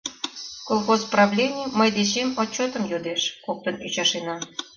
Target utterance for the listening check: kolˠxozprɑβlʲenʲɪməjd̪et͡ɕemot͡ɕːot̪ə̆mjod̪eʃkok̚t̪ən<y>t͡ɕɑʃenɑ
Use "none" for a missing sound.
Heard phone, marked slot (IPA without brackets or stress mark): y